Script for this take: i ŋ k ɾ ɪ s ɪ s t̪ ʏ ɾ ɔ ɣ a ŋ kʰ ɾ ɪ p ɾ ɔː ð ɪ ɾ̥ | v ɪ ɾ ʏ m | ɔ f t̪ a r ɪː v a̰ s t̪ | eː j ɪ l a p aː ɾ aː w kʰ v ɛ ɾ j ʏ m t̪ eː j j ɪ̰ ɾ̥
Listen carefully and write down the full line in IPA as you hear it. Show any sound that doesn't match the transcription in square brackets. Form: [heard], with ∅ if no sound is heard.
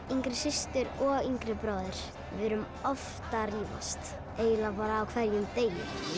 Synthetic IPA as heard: i ŋ k ɾ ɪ s ɪ s t̪ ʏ ɾ ɔ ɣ [i] ŋ [k] ɾ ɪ p ɾ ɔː ð ɪ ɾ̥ | v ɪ ɾ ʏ m | ɔ f t̪ a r [iː] v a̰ s t̪ | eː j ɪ l a p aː ɾ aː w kʰ v ɛ ɾ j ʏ m t̪ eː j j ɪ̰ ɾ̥